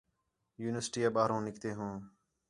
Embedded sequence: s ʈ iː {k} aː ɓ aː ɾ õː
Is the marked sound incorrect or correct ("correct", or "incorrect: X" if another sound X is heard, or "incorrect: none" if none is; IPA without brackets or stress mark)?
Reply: incorrect: none